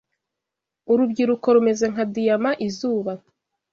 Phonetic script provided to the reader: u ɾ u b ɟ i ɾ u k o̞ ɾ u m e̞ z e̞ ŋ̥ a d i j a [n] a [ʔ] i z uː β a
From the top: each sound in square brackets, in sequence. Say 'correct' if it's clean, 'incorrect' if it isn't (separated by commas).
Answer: incorrect, correct